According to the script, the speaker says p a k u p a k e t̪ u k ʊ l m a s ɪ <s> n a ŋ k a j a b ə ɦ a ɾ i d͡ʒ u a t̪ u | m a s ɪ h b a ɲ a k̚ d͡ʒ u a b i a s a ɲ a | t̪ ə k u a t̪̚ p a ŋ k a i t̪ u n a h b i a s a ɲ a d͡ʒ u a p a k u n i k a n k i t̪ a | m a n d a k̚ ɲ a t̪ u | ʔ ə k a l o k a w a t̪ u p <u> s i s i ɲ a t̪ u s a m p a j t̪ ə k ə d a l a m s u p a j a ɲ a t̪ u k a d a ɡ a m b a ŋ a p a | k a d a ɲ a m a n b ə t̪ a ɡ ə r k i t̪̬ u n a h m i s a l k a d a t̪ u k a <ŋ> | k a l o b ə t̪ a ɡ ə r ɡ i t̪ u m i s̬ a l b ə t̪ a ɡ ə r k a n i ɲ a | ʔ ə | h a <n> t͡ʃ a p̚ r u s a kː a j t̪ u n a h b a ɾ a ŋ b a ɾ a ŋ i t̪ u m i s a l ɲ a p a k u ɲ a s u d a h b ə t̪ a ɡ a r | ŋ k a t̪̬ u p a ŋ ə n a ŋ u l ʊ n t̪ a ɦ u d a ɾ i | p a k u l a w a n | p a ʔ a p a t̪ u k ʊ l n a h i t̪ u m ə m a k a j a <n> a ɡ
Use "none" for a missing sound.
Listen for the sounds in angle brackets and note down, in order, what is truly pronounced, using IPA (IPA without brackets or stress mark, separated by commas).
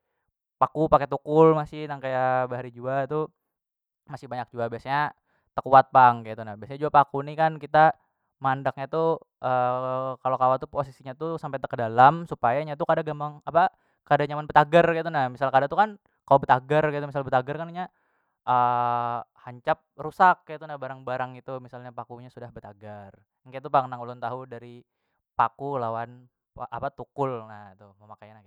h, o, n, ɲ, n